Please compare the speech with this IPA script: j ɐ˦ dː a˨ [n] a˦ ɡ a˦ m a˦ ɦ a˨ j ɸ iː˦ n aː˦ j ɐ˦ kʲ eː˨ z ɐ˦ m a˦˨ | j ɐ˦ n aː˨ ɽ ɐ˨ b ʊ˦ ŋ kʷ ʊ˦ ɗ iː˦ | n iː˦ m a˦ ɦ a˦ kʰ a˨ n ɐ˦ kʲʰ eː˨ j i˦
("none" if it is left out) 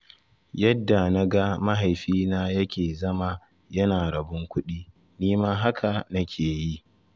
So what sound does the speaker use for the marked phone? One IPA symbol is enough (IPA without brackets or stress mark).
n